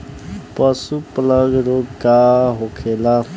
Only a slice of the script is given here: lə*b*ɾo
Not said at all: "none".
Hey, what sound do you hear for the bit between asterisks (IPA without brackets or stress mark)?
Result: ɡ